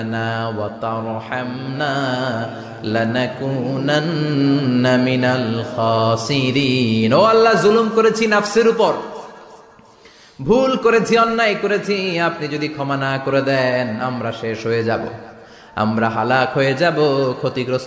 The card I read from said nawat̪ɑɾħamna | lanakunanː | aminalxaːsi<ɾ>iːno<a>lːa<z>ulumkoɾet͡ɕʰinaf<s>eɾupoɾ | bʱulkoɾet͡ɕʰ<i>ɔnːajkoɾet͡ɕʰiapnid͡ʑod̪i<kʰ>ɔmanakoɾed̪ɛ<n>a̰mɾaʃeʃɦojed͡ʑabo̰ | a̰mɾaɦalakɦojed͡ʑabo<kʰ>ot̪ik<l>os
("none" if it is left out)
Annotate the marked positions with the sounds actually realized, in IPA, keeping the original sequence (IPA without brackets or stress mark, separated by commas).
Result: ɾ, a, z, s, i, kʰ, n, kʰ, ɾ